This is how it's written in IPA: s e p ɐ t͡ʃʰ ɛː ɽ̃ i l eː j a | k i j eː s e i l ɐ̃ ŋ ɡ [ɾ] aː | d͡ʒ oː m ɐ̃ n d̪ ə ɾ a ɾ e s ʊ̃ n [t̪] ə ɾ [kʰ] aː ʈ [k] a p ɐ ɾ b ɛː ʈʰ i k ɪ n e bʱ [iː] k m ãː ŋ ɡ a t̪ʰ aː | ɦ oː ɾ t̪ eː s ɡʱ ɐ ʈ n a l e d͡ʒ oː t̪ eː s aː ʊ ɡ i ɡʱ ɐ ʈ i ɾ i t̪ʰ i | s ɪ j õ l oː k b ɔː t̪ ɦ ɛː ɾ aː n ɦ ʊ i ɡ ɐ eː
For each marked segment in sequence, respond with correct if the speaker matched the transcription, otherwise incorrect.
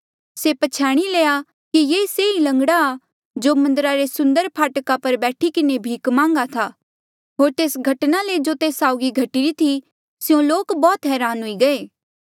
incorrect: ɽ, incorrect: d̪, incorrect: pʰ, correct, correct

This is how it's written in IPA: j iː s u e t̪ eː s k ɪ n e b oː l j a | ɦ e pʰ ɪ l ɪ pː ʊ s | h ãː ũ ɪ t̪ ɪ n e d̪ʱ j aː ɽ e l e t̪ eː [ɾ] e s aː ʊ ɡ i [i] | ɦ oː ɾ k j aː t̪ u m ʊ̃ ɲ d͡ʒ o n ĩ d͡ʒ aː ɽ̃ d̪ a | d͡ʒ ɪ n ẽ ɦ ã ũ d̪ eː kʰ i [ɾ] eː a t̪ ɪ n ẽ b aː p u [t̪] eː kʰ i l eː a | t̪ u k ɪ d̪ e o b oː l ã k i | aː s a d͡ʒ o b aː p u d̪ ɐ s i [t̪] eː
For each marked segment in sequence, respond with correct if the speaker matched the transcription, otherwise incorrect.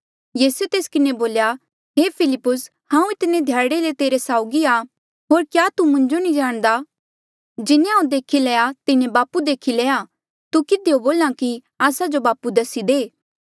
correct, incorrect: a, incorrect: l, incorrect: d̪, incorrect: d̪

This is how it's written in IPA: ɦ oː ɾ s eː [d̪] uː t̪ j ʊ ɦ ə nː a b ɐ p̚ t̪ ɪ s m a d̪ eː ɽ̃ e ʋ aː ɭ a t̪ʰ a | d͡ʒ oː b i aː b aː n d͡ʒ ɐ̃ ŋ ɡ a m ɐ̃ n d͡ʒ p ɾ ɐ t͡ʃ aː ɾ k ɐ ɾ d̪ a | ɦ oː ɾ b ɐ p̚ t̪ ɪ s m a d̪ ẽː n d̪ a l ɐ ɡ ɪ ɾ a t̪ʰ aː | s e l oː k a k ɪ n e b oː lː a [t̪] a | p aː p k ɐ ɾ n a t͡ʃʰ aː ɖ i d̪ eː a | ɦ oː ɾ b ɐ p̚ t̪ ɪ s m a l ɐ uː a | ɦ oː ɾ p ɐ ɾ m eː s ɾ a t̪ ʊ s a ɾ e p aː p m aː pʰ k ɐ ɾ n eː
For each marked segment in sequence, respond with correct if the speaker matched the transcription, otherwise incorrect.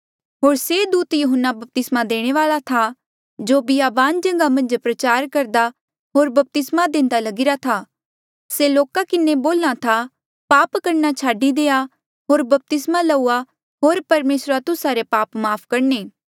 correct, incorrect: t̪ʰ

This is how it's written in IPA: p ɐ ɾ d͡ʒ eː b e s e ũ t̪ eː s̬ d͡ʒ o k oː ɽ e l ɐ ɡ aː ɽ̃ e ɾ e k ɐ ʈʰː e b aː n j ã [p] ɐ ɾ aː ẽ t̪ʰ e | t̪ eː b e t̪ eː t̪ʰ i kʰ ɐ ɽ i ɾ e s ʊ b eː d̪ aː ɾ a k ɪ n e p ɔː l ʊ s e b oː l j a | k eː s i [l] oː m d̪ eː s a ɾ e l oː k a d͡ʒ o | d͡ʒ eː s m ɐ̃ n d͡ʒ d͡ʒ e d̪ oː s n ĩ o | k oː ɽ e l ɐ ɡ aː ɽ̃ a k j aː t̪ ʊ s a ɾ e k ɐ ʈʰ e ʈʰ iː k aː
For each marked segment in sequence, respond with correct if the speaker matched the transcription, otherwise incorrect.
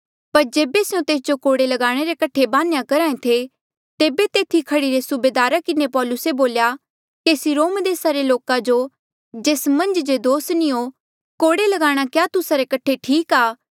incorrect: k, incorrect: ɾ

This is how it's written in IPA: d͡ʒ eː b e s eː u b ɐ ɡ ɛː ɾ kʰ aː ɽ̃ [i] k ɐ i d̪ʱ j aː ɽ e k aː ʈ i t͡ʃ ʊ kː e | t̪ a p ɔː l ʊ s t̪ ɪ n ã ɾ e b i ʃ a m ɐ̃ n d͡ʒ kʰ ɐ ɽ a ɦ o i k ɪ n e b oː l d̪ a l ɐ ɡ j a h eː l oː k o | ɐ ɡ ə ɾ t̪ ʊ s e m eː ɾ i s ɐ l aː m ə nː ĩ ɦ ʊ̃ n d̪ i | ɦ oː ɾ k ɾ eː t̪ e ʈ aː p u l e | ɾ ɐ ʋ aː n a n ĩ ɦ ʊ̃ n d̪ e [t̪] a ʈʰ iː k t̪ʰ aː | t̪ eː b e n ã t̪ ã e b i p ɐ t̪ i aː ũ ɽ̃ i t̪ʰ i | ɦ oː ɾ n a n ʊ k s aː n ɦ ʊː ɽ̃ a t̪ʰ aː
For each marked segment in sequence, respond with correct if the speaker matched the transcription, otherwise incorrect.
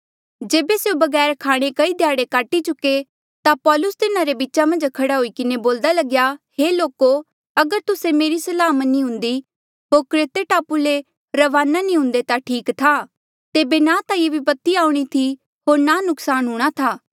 incorrect: e, correct

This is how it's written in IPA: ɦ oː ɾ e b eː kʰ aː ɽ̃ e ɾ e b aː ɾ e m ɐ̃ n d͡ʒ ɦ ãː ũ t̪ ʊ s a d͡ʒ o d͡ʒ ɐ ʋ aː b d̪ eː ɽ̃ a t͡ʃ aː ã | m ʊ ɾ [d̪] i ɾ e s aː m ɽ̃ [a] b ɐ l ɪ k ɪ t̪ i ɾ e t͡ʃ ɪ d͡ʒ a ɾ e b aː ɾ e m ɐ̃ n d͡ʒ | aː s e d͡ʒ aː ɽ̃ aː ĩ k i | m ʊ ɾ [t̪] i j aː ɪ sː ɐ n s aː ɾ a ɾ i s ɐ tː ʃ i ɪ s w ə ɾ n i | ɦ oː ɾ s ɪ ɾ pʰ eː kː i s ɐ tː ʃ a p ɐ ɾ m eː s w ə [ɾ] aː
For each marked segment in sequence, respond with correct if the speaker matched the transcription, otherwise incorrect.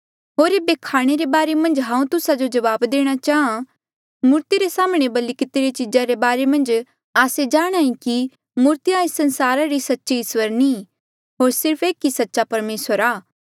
incorrect: t̪, incorrect: e, correct, correct

